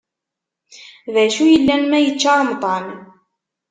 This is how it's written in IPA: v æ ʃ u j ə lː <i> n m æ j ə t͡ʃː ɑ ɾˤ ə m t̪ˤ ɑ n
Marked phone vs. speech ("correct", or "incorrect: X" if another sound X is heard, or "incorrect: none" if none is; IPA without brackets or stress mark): incorrect: æ